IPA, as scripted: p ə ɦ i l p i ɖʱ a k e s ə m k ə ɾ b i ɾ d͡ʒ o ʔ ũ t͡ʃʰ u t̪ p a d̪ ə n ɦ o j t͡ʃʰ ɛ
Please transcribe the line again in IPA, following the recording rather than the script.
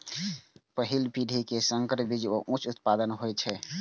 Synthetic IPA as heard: p ə ɦ i l p i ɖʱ i k e s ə ŋ k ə ɾ b i d͡ʒ o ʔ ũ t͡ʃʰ u t̪ p a d̪ ə n ɦ o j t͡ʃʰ ɛ